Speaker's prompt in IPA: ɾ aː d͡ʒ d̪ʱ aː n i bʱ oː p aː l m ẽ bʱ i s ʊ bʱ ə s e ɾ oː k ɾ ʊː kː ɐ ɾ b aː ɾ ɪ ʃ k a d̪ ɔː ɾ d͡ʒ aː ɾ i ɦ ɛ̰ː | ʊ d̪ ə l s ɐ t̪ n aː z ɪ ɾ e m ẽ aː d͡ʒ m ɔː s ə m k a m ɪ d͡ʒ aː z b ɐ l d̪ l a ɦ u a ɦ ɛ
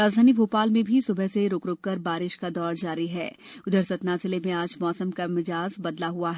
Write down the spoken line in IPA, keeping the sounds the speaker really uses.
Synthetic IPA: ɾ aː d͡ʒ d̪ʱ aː n i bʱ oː p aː l m ẽ bʱ i s ʊ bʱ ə s e ɾ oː k ɾ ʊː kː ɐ ɾ b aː ɾ ɪ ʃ k a d̪ ɔː ɾ d͡ʒ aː ɾ i ɦ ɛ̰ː | ʊ d̪ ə ɾ s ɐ t̪ n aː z ɪ l e m ẽ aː d͡ʒ m ɔː s ə m k a m ɪ d͡ʒ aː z b ɐ d̪ l a ɦ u a ɦ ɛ